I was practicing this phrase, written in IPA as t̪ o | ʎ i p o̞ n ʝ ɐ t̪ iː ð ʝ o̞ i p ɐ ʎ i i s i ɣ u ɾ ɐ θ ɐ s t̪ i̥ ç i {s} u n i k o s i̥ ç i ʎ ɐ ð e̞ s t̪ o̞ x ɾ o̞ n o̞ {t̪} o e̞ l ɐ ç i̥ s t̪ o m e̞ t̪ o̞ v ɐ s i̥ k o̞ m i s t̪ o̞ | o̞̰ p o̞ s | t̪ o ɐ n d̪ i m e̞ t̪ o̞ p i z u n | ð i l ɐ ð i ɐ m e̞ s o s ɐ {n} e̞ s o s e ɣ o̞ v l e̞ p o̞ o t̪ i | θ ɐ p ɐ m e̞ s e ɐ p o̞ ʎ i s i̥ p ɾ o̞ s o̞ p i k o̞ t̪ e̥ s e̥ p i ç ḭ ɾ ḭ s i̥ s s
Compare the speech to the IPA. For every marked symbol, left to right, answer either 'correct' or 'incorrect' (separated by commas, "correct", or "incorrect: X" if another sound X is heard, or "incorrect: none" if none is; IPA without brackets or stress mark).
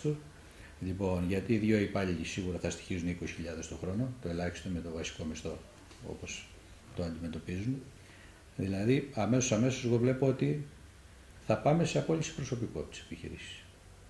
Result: incorrect: z, correct, incorrect: m